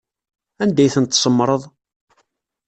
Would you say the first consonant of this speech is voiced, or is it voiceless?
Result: voiced